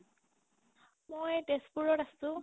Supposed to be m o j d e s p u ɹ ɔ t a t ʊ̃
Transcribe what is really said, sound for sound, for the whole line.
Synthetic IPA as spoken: m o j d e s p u ɹ ɔ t a s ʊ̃

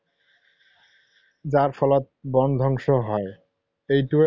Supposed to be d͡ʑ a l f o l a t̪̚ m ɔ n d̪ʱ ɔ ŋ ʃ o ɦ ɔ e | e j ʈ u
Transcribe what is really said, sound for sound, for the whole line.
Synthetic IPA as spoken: d͡ʑ a ɾ f ɔ l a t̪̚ b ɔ n d̪ʱ ɔ ŋ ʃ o ɦ ɔ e | e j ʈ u

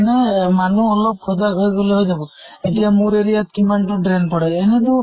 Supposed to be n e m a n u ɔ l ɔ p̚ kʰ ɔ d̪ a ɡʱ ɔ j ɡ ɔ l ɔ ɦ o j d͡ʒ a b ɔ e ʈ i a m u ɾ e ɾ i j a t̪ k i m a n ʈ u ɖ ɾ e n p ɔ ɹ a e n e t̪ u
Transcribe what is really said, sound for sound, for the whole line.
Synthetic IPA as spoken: n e m a n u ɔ l ɔ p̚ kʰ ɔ d̪ a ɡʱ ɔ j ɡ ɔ l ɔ ɦ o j d͡ʒ a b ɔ e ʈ i a m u ɾ e ɾ i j a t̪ k i m a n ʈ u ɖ ɾ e n p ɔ ɽ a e n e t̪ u

